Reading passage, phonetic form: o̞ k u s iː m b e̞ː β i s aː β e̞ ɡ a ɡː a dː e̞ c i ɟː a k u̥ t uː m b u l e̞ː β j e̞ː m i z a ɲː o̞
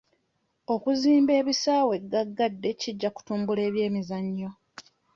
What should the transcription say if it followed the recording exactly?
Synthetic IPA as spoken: o̞ k u z iː m b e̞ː β i s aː w e̞ ɡ a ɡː a dː e̞ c i ɟː a k u̥ t uː m b u l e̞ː β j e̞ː m i z a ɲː o̞